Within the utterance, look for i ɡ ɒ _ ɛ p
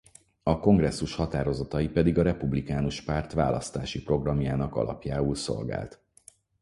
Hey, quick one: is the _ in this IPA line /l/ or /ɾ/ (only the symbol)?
ɾ